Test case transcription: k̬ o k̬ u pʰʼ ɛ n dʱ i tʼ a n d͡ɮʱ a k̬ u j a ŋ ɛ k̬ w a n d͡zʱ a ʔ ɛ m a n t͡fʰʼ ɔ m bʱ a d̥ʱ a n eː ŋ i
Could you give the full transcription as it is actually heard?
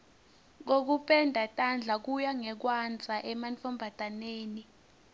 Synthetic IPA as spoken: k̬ o k̬ u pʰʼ ɛ n dʱ a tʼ a n d͡ɮʱ a k̬ u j a ŋ ɛ k̬ w a n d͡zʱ a ʔ ɛ m a n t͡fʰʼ ɔ m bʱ a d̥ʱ a n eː n i